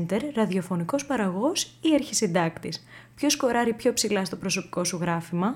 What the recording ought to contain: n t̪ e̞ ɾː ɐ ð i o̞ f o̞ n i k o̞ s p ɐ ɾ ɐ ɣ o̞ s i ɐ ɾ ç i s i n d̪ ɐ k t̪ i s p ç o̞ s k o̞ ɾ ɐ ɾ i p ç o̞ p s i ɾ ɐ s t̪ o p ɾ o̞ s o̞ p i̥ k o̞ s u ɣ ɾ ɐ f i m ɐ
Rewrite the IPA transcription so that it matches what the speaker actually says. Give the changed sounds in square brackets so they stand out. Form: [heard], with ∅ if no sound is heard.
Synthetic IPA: n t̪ e̞ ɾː ɐ ð i o̞ f o̞ n i k o̞ s p ɐ ɾ ɐ ɣ o̞ s i ɐ ɾ ç i s i n d̪ ɐ k t̪ i s p ç o̞ s k o̞ ɾ ɐ ɾ i p ç o̞ p s i [l] ɐ s t̪ o p ɾ o̞ s o̞ p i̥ k o̞ s u ɣ ɾ ɐ f i m ɐ